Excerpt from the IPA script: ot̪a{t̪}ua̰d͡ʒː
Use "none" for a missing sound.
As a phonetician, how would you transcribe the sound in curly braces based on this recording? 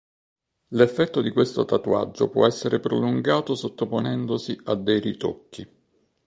t̪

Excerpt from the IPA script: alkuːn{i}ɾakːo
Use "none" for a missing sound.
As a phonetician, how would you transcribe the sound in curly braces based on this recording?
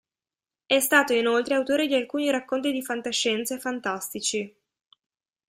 i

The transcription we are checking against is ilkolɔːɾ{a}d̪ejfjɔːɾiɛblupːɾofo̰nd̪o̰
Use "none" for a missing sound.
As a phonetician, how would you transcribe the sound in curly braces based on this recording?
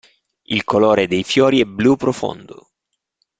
e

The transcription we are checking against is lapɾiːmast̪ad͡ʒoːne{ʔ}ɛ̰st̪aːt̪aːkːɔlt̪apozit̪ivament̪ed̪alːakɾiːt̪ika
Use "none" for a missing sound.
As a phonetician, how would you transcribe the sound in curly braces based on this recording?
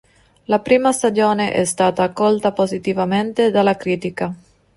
ʔ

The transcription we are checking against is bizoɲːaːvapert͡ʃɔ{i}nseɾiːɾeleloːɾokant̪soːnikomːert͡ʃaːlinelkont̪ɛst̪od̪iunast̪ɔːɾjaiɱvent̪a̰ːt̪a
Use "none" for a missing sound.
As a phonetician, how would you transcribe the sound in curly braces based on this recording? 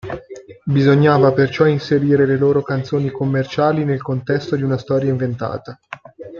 i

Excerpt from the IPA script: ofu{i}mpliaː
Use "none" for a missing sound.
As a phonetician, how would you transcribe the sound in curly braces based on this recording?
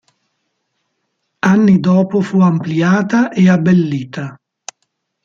a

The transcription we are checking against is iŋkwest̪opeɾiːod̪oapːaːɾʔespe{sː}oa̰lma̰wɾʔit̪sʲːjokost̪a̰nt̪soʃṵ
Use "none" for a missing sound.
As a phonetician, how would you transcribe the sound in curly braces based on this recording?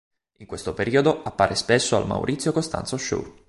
sː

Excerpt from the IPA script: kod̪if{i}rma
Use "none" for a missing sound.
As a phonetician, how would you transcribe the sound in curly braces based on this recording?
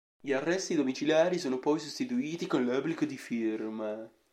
i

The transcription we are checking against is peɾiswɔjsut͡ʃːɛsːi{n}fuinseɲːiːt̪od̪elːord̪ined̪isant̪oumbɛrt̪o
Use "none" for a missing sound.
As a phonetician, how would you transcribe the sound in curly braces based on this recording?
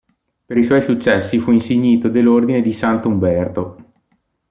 none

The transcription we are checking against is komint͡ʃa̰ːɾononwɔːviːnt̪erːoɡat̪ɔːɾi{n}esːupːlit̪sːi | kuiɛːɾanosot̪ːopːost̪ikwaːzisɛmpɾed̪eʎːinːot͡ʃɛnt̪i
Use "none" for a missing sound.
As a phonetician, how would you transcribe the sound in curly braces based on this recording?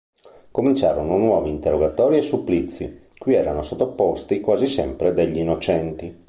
none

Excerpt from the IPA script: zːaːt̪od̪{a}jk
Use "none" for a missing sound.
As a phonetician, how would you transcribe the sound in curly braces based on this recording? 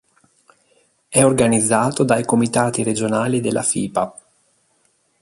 a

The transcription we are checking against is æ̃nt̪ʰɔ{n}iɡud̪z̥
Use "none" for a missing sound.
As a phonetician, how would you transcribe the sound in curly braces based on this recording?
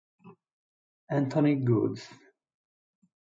n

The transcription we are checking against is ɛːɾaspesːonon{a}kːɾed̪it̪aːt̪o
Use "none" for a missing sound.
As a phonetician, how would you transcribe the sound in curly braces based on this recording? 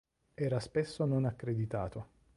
a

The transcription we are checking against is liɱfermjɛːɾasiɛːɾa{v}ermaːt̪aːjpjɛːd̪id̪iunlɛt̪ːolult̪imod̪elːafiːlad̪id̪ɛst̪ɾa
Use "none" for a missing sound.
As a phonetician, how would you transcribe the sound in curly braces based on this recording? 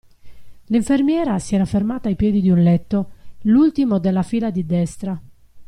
f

